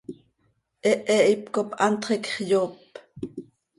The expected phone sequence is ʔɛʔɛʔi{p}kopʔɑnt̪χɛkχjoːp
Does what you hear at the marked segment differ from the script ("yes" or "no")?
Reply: no